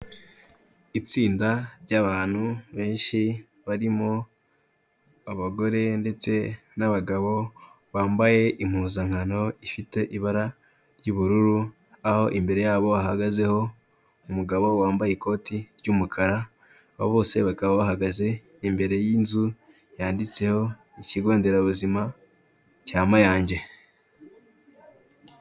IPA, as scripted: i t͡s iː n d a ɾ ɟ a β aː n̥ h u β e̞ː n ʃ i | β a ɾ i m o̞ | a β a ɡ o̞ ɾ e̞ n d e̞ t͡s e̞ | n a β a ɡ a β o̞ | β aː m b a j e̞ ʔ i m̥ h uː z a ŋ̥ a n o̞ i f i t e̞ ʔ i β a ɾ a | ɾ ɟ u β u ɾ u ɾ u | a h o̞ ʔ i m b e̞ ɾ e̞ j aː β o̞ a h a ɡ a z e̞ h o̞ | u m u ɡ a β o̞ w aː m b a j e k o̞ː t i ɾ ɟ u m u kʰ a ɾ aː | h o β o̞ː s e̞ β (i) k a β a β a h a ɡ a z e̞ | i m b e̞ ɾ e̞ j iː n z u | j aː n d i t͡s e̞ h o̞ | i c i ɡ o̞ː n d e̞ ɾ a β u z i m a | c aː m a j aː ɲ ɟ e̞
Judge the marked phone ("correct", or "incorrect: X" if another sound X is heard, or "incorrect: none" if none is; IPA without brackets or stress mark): incorrect: a